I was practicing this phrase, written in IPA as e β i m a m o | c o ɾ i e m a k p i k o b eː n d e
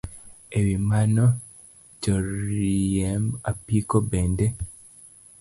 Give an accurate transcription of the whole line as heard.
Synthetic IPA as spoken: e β i m a n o | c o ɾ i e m a p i k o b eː n d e